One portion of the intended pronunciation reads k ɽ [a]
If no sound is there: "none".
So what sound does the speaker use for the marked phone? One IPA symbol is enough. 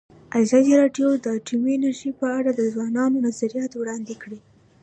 i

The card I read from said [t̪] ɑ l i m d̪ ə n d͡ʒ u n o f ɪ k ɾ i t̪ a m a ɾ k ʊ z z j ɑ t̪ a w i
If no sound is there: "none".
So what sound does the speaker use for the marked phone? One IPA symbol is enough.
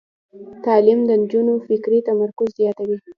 t̪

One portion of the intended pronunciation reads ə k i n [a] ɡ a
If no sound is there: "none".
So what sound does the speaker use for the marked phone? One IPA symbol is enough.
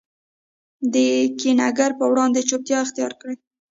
a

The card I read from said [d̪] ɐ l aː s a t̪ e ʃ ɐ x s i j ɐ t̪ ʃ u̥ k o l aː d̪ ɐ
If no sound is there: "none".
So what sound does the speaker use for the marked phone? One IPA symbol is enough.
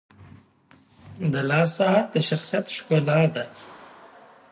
d̪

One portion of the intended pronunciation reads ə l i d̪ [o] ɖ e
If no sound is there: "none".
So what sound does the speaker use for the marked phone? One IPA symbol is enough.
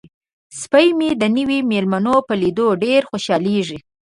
o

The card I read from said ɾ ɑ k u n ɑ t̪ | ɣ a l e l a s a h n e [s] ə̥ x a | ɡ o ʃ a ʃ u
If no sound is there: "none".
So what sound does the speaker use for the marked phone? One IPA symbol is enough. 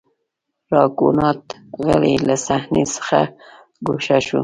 s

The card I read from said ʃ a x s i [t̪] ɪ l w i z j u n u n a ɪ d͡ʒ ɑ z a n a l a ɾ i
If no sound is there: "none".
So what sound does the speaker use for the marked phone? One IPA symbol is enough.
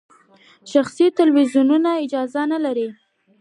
t̪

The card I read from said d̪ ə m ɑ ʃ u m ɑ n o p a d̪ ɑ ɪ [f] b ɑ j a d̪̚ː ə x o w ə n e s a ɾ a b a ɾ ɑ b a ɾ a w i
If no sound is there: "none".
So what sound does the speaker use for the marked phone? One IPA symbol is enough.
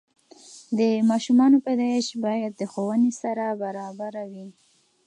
ʃ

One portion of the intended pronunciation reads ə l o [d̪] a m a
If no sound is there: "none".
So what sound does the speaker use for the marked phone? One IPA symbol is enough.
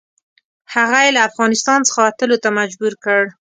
t̪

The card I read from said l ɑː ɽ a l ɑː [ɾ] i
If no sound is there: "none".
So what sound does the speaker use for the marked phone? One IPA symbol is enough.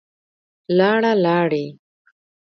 ɽ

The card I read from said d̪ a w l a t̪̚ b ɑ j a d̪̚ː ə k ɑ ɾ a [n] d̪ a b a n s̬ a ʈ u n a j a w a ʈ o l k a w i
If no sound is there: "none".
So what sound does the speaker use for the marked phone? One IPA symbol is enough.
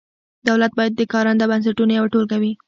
n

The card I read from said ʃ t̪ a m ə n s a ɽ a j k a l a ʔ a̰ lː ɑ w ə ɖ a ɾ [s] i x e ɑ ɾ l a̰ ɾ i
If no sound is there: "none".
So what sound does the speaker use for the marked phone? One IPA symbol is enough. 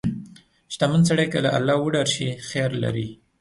ʃ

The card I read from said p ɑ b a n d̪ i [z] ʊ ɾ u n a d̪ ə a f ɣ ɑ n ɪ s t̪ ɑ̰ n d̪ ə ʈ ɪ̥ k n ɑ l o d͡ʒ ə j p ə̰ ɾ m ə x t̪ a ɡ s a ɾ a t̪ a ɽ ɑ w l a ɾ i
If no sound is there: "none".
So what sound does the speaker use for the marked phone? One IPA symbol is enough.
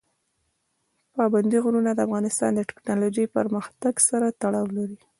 ɣ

